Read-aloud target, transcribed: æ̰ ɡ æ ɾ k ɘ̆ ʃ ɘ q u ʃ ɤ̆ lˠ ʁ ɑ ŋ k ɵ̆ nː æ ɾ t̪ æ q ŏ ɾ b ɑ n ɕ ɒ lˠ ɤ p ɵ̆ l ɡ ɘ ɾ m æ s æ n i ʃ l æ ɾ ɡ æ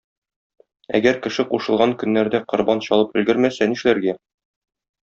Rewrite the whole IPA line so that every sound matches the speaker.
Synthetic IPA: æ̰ ɡ æ ɾ k ɘ̆ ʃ ɘ q u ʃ ɤ̆ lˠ ʁ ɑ ŋ k ɵ̆ nː æ ɾ d̪ æ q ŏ ɾ b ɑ n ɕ ɒ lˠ ɤ p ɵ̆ l ɡ ɘ ɾ m æ s æ n i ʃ l æ ɾ ɡ æ

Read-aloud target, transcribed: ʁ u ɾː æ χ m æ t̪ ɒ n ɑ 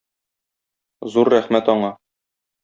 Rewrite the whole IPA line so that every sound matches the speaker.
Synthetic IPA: z u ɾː æ χ m æ t̪ ɒ ɴ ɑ

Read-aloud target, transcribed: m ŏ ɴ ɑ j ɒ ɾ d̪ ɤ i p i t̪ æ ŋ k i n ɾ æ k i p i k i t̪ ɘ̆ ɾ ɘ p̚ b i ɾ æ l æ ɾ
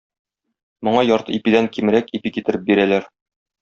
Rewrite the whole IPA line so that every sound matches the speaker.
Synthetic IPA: m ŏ ɴ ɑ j ɒ ɾ t̪ ɤ i p i d̪ æ ŋ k i m ɾ æ k i p i k i t̪ ɘ̆ ɾ ɘ p̚ b i ɾ æ l æ ɾ

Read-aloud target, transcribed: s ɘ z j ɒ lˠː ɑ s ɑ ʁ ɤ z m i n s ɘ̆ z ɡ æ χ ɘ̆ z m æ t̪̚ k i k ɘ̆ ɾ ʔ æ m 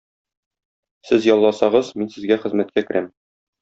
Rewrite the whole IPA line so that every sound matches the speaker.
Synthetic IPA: s ɘ z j ɒ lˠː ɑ s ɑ ʁ ɤ z m i n s ɘ̆ z ɡ æ χ ɘ̆ z m æ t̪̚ k æ k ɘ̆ ɾ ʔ æ m

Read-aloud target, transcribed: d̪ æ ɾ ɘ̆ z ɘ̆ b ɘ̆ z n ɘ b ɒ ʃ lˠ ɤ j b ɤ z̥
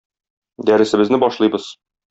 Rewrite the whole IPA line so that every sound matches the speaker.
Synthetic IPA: d̪ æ ɾ ɘ̆ s ɘ̆ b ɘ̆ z n ɘ b ɒ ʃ lˠ ɤ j b ɤ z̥

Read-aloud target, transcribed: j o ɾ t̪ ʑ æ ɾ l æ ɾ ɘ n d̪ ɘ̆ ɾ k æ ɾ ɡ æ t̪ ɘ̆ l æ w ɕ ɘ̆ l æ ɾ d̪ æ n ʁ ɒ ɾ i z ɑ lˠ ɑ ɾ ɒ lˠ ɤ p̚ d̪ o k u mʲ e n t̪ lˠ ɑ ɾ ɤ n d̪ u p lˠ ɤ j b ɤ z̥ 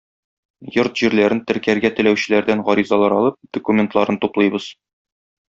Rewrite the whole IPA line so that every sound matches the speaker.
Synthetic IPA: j o ɾ t̪ ʑ i ɾ l æ ɾ ɘ n t̪ ɘ̆ ɾ k æ ɾ ɡ æ t̪ ɘ̆ l æ w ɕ ɘ̆ l æ ɾ d̪ æ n ʁ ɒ ɾ i z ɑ lˠ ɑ ɾ ɒ lˠ ɤ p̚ d̪ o k u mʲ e n t̪ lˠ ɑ ɾ ɤ n t̪ u p lˠ ɤ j b ɤ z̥

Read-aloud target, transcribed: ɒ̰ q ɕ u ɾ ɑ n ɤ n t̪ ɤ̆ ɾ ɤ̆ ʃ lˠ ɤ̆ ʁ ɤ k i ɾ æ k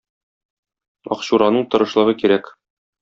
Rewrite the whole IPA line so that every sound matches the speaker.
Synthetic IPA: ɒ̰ q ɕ u ɾ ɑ n ɤ ɴ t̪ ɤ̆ ɾ ɤ̆ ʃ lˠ ɤ̆ ʁ ɤ k i ɾ æ k

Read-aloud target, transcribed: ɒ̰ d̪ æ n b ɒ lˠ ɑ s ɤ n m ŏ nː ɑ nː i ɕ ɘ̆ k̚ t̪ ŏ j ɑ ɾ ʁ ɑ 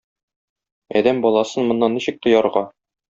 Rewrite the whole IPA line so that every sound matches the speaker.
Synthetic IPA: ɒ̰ d̪ æ m b ɒ lˠ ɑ s ɤ n m ŏ nː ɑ nː i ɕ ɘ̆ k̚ t̪ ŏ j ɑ ɾ ʁ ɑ

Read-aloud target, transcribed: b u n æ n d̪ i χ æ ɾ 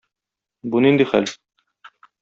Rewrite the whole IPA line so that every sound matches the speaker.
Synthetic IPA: b u n i n d̪ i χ æ l

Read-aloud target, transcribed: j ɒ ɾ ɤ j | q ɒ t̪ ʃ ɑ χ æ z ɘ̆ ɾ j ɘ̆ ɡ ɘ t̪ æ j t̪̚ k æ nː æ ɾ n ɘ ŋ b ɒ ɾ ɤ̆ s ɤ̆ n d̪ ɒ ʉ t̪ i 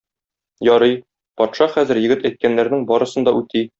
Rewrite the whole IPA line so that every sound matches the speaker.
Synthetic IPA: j ɒ ɾ ɤ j | p ɒ t̪ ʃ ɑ χ æ z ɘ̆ ɾ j ɘ̆ ɡ ɘ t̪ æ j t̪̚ k æ nː æ ɾ n ɘ ŋ b ɒ ɾ ɤ̆ s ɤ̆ n d̪ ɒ ʉ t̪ i

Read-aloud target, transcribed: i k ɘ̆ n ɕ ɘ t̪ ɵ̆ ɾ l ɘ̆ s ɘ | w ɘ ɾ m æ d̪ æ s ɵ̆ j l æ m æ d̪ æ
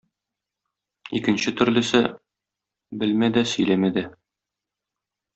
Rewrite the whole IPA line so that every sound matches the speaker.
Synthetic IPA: i k ɘ̆ n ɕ ɘ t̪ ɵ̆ ɾ l ɘ̆ s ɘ | b ɘ l m æ d̪ æ s ɵ̆ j l æ m æ d̪ æ

